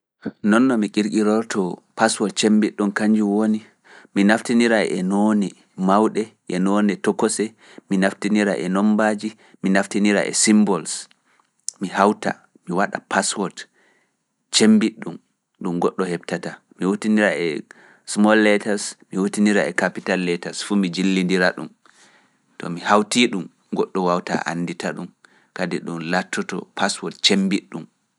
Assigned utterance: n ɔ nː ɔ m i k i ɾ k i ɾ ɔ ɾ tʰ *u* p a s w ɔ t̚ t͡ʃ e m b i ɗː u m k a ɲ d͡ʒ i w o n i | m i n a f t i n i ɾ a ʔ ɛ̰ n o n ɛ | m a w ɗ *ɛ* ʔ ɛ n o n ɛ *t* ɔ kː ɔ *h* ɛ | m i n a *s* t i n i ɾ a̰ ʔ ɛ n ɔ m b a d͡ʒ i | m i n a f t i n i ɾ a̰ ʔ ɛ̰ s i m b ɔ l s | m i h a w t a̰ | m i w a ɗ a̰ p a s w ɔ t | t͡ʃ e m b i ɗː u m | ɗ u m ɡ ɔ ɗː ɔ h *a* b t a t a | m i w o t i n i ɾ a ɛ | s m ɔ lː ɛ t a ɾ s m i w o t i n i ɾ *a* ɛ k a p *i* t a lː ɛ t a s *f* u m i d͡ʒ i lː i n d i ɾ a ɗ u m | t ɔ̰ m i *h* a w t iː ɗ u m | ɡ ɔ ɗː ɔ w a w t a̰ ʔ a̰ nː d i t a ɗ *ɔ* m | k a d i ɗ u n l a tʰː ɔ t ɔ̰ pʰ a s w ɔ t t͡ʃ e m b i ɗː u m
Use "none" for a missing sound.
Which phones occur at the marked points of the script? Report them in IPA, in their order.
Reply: ɔ, ɛ, t, s, f, ɛ, a, i, f, h, u

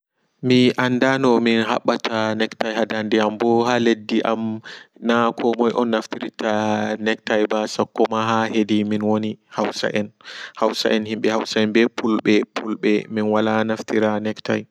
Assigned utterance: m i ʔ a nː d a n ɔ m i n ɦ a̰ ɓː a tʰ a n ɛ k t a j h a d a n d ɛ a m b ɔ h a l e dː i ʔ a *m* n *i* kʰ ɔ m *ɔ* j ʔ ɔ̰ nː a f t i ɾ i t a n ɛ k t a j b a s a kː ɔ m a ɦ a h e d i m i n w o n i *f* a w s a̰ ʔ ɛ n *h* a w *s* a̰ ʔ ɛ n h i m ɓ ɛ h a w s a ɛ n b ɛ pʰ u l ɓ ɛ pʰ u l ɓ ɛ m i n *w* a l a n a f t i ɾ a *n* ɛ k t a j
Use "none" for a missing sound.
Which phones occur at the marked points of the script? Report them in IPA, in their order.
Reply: m, a, ɔ, h, h, s, w, n

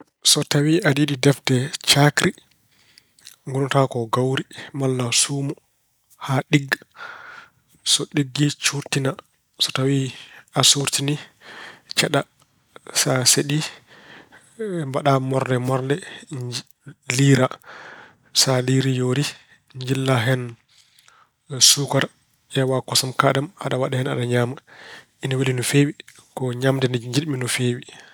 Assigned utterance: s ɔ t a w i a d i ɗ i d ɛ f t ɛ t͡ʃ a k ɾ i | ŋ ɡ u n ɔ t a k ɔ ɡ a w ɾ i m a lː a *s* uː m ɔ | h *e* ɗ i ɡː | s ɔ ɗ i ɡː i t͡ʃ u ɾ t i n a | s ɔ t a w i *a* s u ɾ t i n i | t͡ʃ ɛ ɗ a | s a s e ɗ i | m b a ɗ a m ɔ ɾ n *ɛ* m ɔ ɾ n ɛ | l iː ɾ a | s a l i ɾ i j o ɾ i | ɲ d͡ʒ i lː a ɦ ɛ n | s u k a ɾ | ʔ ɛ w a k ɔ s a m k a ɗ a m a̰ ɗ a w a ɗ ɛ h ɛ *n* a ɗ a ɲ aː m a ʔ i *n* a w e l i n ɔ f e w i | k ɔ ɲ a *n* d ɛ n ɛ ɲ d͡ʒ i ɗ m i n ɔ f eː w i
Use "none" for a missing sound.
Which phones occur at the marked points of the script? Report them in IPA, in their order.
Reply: s, a, a, ɛ, n, n, m

